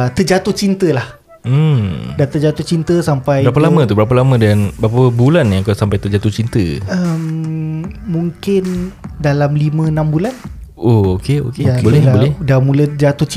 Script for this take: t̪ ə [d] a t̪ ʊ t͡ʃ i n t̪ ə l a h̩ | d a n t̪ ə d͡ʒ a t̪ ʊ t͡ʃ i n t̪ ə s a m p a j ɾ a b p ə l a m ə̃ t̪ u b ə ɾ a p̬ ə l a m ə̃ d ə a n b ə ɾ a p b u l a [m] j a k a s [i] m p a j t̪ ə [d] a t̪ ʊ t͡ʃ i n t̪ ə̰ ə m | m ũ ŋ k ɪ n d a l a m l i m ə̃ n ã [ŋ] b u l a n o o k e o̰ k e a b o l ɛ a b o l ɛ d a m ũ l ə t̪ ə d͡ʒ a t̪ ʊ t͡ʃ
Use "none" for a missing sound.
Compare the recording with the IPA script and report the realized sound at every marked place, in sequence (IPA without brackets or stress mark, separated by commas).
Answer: d͡ʒ, n, a, d͡ʒ, m